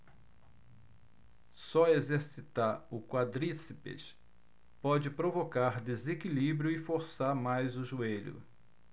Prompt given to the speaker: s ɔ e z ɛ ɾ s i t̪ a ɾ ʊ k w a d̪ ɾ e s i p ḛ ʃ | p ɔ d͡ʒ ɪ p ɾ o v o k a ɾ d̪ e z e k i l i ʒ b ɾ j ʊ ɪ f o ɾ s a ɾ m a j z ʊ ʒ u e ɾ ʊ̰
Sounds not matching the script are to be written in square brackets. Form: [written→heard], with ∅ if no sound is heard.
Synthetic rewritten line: s ɔ e z [ɛ→e] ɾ s i t̪ a ɾ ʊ k w a d̪ ɾ [e→i] s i p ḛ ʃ | p ɔ d͡ʒ ɪ p ɾ o v o k a ɾ d̪ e z e k i l i [ʒ→∅] b ɾ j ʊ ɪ f o ɾ s a ɾ m a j z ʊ ʒ u e [ɾ→ʎ] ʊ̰